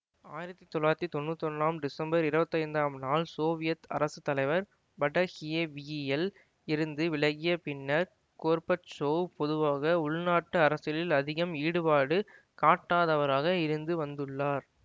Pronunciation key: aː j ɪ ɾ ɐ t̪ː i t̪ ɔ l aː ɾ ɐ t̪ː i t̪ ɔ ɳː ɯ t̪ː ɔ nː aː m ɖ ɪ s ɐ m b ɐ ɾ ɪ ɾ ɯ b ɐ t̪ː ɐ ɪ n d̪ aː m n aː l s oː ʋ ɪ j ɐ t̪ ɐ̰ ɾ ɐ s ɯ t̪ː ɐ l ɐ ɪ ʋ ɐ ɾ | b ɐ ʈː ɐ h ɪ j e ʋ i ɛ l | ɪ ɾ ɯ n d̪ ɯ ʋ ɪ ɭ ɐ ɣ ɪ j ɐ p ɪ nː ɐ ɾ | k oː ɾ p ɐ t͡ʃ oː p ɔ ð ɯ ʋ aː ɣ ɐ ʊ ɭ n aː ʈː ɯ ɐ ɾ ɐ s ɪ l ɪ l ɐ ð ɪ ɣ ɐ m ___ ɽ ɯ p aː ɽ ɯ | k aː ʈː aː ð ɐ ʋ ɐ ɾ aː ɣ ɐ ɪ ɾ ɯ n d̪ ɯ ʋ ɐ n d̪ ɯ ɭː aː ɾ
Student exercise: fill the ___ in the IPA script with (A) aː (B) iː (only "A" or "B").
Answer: B